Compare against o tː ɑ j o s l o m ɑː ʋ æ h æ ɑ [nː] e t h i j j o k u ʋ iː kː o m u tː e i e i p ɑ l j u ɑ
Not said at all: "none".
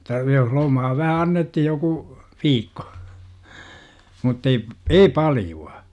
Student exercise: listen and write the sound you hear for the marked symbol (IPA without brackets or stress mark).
nː